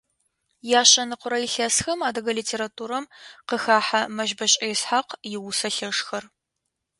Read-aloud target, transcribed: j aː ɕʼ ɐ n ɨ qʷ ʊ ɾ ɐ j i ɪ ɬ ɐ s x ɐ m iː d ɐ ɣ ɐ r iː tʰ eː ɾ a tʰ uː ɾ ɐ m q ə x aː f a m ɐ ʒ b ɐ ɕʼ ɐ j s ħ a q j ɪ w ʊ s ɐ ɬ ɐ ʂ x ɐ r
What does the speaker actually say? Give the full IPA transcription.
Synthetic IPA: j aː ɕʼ ɐ n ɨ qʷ ʊ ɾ ɐ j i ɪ ɬ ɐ s x ɐ m aː d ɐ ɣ ɐ l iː tʰ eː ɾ a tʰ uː ɾ ɐ m q ə x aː ħ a m ɐ ʒ b ɐ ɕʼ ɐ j s ħ a q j ɪ w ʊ s ɐ ɬ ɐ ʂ x ɐ r